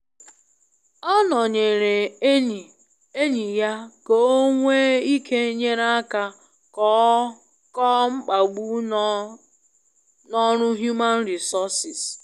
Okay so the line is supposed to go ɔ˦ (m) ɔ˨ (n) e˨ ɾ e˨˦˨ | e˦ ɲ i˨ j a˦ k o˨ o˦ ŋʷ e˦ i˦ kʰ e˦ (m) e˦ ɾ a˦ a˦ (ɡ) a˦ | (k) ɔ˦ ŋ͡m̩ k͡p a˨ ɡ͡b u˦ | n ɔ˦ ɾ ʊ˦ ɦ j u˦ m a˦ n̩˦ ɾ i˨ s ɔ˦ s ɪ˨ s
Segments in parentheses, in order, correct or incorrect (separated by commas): incorrect, incorrect, incorrect, incorrect, correct